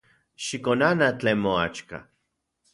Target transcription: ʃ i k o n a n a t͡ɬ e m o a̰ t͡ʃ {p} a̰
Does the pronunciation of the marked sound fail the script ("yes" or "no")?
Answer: yes